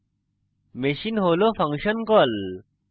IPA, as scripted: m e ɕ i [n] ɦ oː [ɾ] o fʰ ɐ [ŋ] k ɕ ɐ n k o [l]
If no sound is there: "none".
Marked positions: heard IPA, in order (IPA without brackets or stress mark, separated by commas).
n, l, ŋ, l